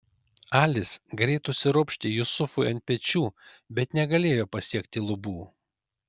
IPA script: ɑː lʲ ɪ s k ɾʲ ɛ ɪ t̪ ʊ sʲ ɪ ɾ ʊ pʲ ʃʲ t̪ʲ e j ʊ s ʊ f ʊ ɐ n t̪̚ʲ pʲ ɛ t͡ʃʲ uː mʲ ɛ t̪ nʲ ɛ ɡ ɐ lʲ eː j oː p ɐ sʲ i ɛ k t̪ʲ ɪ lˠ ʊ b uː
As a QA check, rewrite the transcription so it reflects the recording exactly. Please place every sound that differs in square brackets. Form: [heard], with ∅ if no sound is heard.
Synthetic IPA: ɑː lʲ ɪ s [ɡ] ɾʲ ɛ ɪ t̪ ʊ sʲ ɪ ɾ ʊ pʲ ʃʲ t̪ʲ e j ʊ s ʊ f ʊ ɐ n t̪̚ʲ pʲ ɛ t͡ʃʲ uː [bʲ] ɛ t̪ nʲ ɛ ɡ ɐ lʲ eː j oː p ɐ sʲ i ɛ k t̪ʲ ɪ lˠ ʊ b uː